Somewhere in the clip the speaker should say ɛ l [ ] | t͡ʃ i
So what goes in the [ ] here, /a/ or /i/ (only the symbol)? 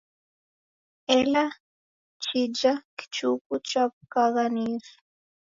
a